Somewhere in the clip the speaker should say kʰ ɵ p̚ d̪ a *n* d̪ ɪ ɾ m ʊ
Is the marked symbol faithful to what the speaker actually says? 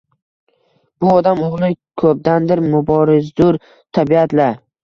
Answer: yes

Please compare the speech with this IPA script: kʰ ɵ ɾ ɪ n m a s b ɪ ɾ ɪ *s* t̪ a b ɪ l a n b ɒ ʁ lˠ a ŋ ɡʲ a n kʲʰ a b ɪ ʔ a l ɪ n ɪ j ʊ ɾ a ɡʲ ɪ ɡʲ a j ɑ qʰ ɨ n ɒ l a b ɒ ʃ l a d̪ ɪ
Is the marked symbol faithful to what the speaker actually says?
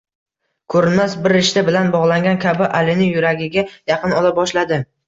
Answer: no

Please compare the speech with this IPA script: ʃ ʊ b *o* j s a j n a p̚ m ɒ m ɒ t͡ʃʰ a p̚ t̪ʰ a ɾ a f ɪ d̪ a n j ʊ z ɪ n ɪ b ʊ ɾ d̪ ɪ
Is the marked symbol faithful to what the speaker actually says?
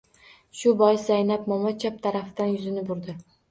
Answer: no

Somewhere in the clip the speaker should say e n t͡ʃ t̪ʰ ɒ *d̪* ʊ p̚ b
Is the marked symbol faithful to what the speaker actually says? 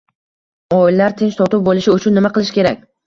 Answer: no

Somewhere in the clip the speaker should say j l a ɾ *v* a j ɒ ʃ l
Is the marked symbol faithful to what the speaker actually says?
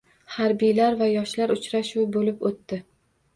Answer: yes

